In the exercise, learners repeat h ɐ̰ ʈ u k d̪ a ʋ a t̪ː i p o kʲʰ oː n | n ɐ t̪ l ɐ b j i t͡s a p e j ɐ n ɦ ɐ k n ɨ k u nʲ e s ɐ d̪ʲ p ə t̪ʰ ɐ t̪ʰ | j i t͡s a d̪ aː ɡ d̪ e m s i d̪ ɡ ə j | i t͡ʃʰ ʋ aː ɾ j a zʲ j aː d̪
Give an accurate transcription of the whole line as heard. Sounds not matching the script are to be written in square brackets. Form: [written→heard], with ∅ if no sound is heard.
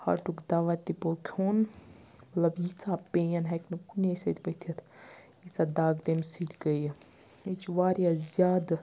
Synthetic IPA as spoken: h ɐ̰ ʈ u k d̪ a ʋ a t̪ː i p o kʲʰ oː n | [n→m] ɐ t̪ l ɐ b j i t͡s a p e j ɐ n ɦ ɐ k n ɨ k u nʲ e s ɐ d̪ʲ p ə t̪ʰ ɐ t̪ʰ | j i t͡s a d̪ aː ɡ d̪ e m s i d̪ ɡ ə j | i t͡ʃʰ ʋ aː ɾ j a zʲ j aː d̪